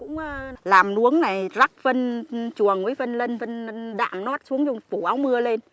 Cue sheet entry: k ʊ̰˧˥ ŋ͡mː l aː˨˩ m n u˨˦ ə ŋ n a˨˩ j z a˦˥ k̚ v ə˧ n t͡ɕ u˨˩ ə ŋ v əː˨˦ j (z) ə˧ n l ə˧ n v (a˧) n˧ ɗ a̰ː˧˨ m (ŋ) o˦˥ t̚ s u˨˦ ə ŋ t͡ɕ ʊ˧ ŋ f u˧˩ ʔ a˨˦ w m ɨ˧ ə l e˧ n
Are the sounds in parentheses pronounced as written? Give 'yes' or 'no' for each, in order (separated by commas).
no, no, no